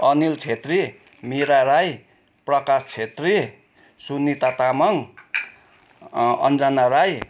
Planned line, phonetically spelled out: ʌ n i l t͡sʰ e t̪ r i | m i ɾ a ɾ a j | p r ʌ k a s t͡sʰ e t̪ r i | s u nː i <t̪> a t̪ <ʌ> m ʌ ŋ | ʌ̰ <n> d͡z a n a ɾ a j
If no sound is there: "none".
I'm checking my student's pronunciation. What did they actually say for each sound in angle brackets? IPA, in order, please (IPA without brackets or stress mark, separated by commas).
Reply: t̪, a, n